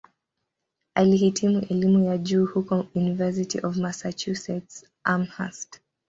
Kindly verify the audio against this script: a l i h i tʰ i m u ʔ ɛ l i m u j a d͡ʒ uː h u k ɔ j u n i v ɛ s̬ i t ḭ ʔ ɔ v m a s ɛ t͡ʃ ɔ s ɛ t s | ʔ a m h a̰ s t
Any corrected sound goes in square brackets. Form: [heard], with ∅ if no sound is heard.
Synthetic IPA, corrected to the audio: a l i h i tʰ i m u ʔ ɛ l i m u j a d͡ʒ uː h u k ɔ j u n i v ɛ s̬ i t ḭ ʔ ɔ v m a s [a] t͡ʃ [u] s ɛ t s | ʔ a m h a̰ s t